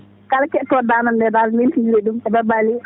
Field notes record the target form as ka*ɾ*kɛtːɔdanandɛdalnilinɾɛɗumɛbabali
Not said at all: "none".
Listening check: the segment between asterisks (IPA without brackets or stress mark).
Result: l